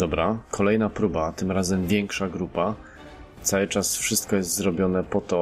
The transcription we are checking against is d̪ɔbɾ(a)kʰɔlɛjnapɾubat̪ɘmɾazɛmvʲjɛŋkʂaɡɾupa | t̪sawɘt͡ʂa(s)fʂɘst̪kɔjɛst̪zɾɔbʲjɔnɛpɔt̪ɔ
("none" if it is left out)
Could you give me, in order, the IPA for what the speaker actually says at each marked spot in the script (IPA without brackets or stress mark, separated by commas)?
a, s